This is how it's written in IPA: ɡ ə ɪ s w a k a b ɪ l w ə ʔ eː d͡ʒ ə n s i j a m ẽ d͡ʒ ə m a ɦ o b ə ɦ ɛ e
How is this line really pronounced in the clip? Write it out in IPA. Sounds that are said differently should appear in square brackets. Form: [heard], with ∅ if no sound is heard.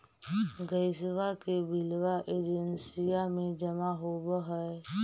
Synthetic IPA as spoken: ɡ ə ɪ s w a k [e] b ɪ l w [a] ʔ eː d͡ʒ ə n s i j a m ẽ d͡ʒ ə m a ɦ o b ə ɦ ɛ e